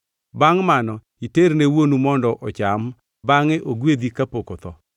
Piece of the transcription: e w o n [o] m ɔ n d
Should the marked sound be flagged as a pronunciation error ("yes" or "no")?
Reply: yes